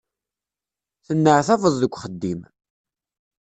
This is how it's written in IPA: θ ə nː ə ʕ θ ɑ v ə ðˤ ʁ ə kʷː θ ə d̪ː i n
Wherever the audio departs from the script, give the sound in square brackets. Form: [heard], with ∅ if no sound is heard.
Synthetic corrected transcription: θ ə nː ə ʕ θ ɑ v ə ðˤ [ð] ə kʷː [χ] ə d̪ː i [m]

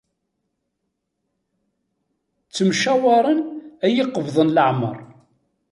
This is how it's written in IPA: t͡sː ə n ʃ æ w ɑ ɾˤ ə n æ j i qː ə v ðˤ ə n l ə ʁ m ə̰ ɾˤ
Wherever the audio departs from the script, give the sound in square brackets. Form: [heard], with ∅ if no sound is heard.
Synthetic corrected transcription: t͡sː ə [m] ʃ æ w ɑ ɾˤ ə n æ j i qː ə v ðˤ ə n l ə [ʕ] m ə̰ ɾˤ

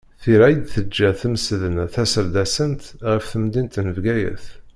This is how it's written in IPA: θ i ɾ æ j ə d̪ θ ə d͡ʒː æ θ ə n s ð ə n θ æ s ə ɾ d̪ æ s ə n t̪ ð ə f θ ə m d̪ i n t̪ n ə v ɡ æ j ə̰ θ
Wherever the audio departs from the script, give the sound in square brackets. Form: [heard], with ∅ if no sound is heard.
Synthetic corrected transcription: θ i ɾ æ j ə d̪ θ ə d͡ʒː æ θ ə [m] s ð ə n θ æ s ə ɾ d̪ æ s ə n t̪ [ʁ] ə f θ ə m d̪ i n t̪ n ə v ɡ æ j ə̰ θ

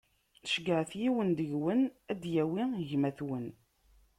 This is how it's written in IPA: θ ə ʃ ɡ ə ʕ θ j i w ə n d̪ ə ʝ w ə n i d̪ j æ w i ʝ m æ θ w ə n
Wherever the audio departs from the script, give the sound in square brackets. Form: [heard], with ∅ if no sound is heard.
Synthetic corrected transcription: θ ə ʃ ɡ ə ʕ θ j i w ə n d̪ ə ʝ w ə n [æ] d̪ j æ w i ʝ m æ θ w ə n

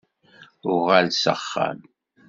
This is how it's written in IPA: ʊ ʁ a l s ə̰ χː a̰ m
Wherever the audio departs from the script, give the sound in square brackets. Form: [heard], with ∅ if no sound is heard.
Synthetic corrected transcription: ʊ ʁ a l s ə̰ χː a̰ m

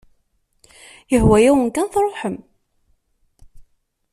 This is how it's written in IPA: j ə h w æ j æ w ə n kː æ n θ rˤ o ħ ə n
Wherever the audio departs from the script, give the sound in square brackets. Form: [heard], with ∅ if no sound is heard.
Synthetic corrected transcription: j ə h w æ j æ w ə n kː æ n θ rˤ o ħ ə [m]

